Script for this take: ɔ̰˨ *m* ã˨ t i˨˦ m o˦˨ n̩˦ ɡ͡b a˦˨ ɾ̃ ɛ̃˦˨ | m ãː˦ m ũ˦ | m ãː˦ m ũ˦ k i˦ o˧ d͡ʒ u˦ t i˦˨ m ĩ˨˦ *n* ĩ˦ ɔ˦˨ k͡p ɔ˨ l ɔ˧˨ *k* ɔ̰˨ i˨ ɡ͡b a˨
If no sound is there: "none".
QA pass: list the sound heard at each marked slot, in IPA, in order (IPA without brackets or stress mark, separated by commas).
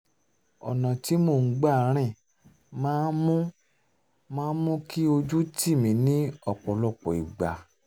n, n, k͡p